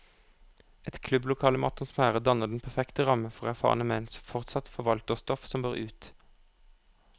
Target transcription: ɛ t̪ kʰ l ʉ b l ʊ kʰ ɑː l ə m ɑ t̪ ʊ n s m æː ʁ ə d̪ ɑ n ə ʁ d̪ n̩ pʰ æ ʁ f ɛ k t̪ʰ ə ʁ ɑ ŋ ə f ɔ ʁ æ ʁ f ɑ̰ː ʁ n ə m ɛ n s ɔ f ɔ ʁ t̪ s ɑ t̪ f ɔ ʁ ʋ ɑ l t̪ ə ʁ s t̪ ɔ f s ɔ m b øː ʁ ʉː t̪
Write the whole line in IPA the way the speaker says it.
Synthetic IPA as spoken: ɛ t̪ kʰ l ʉ b l ʊ kʰ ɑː l ə m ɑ t̪ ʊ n s m æː ʁ ə d̪ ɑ n ə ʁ d̪ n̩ pʰ æ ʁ f ɛ k t̪ ə ʁ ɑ m ə f ɔ ʁ æ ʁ f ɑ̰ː ʁ n ə m ɛ n s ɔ f ɔ ʁ t̪ s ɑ t̪ f ɔ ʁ ʋ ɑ l t̪ ə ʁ s t̪ ɔ f s ɔ m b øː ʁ ʉː t̪

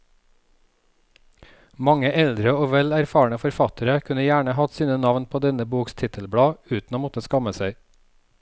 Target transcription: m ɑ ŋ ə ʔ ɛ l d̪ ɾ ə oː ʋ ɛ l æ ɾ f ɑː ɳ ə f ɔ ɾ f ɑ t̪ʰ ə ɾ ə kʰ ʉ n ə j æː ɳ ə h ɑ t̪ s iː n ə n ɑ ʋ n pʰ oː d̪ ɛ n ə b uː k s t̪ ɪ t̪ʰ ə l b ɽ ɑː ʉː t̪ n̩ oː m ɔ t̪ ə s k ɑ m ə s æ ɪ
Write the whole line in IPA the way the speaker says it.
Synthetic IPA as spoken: m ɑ ŋ ə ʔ ɛ l d̪ ɾ ə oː ʋ ɛ l æ ɾ f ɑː ɳ ə f ɔ ɾ f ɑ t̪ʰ ə ɾ ə kʰ ʉ n ə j æː ɳ ə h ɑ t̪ s iː n ə n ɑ ʋ n pʰ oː d̪ ɛ n ə b uː k s t̪ʰ ɪ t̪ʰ ə l b ɽ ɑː ʉː t̪ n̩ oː m ɔ t̪ ə s k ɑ m ə s æ ɪ

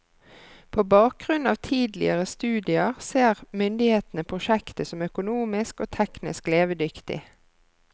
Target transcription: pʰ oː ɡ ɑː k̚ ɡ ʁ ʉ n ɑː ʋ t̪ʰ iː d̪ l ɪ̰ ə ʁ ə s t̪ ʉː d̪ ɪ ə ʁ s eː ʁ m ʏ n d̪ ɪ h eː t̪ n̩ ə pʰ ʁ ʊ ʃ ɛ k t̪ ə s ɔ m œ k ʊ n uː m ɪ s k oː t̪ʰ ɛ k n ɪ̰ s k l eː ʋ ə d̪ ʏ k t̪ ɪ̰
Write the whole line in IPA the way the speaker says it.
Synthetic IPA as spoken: pʰ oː b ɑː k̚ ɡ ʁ ʉ n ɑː ʋ t̪ʰ iː d̪ l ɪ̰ ə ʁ ə s t̪ ʉː d̪ ɪ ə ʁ s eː ʁ m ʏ n d̪ ɪ h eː t̪ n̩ ə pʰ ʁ ʊ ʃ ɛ k t̪ ə s ɔ m œ k ʊ n uː m ɪ s k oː t̪ʰ ɛ k n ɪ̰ s k l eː ʋ ə d̪ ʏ k t̪ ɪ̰

